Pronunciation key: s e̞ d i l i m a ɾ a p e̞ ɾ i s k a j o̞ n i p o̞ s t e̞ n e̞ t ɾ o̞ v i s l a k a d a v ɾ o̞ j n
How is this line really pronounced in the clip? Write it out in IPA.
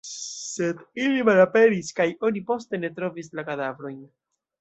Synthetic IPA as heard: s e̞ d i l i m a l a p e̞ ɾ i s k a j o̞ n i p o̞ s t e̞ n e̞ t ɾ o̞ v i s l a k a d a v ɾ o̞ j n